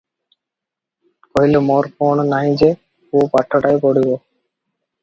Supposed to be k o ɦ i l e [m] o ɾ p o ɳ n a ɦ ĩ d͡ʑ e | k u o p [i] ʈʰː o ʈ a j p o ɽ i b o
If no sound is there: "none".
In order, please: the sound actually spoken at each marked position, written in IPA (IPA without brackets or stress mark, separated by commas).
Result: m, a